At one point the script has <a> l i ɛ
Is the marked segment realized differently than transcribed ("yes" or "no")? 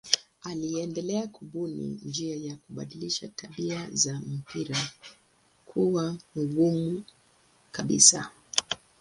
no